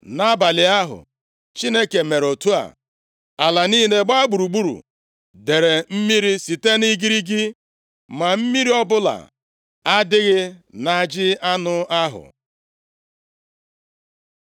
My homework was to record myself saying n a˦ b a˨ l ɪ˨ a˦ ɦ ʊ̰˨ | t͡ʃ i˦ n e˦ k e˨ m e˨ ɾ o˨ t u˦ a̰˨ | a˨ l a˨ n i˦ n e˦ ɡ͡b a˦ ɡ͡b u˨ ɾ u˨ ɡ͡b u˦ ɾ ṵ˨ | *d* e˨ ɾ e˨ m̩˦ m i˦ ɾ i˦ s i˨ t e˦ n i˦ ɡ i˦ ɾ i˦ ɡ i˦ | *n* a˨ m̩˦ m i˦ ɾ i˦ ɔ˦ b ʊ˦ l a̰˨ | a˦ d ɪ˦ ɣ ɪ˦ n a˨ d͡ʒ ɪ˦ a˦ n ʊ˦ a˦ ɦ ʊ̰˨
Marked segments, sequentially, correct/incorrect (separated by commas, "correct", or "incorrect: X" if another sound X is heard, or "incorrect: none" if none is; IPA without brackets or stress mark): correct, incorrect: m